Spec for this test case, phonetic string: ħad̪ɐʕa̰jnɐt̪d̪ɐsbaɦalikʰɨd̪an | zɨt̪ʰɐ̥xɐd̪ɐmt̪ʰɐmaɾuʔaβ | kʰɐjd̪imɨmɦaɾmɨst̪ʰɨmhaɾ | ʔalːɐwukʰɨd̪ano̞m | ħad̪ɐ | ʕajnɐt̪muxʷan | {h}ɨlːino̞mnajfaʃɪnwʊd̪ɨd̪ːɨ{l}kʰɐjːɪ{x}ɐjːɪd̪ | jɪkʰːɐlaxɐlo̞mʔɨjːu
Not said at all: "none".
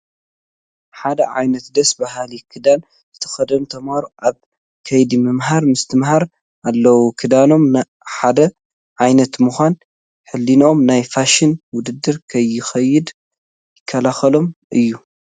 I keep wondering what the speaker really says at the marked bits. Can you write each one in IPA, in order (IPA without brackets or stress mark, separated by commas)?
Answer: ħ, ɾ, x